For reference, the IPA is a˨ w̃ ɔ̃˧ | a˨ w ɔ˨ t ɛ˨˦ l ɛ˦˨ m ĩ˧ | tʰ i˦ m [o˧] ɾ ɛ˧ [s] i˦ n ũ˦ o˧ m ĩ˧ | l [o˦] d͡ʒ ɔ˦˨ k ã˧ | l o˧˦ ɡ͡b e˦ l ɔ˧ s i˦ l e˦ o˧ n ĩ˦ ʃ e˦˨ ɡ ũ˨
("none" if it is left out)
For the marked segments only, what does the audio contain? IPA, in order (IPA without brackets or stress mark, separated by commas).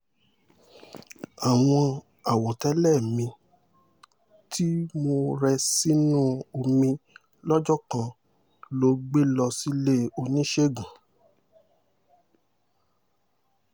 o˧, s, ɔ˦